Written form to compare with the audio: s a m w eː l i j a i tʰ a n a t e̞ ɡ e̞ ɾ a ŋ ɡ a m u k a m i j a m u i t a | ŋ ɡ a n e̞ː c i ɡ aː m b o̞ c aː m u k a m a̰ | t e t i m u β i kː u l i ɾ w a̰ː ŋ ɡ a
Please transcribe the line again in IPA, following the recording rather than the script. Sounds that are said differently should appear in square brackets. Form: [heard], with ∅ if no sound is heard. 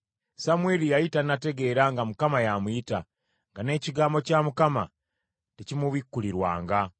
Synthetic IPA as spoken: s a m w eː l i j a i [t] a n a t e̞ ɡ e̞ ɾ a ŋ ɡ a m u k a m [a] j a m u i t a | ŋ ɡ a n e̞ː c i ɡ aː m b o̞ c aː m u k a m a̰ | t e [c] i m u β i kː u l i ɾ w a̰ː ŋ ɡ a